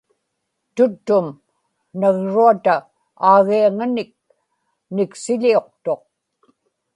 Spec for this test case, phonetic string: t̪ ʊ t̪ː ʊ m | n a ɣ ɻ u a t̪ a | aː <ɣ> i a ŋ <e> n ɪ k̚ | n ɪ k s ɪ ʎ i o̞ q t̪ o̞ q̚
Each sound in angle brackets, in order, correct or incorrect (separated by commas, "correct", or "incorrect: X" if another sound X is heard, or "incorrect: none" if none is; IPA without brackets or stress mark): correct, incorrect: a